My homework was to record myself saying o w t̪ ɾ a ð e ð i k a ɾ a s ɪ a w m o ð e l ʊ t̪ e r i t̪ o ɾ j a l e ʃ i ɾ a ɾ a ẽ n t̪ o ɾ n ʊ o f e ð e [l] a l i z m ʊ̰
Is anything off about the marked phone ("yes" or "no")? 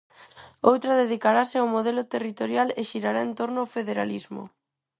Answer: yes